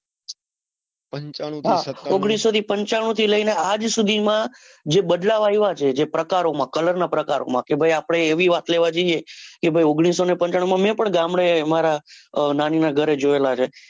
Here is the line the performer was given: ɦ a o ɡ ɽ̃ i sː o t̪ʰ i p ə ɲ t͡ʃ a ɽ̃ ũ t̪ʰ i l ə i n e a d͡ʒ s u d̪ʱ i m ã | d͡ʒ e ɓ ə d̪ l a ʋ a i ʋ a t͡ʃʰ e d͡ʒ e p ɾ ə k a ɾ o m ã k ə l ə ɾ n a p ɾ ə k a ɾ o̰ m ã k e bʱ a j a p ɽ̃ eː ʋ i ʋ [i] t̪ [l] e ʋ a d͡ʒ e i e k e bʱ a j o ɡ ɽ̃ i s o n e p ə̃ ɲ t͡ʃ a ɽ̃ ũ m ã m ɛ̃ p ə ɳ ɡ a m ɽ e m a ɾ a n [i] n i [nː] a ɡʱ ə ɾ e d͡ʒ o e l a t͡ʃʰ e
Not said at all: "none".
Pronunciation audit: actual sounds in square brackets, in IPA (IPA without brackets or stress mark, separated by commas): a, l, a, n